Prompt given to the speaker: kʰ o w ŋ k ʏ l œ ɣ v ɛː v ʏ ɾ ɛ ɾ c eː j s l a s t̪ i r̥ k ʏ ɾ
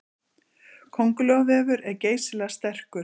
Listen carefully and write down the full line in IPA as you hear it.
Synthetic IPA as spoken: kʰ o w ŋ k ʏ l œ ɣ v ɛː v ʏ ɾ ɛ ɾ c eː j s l a s t̪ ɛ r̥ k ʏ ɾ